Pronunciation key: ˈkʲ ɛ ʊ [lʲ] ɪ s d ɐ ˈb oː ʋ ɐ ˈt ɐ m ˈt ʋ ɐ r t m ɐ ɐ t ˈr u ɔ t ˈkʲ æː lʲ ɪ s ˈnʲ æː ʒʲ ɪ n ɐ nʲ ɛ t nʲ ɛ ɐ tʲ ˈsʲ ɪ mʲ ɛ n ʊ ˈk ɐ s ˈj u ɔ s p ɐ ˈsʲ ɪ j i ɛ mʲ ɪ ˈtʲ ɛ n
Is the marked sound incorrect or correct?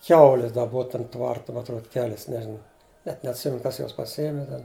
correct